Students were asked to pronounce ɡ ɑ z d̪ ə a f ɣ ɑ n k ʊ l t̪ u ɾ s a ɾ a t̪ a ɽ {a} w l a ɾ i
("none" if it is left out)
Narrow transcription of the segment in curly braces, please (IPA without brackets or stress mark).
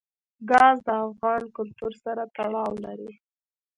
ɑ